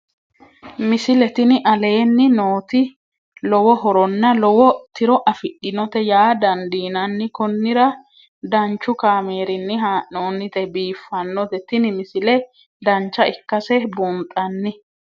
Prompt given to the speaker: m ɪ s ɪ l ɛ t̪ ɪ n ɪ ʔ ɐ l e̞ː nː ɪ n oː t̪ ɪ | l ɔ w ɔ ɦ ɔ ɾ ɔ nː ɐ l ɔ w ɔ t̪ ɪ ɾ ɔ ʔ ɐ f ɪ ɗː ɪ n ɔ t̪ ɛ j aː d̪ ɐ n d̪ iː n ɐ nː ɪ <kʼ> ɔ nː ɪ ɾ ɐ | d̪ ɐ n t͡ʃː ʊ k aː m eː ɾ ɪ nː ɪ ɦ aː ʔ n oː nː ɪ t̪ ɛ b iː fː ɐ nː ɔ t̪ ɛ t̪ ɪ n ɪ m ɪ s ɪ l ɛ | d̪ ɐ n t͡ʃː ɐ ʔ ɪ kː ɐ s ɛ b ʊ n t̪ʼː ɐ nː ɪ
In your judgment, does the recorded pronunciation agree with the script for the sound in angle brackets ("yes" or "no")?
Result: no